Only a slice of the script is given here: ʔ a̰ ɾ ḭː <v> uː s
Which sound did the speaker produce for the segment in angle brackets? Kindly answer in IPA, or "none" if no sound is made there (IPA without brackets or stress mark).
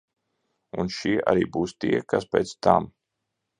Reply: b